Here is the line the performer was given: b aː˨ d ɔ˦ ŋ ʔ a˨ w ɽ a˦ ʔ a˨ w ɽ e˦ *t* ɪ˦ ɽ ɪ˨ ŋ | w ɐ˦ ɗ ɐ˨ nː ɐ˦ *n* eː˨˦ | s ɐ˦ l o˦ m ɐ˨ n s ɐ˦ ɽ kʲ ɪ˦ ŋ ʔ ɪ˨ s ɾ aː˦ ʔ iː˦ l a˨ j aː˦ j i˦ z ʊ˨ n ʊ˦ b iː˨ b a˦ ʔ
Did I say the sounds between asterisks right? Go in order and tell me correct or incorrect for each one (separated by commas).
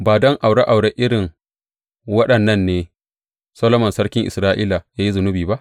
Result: incorrect, incorrect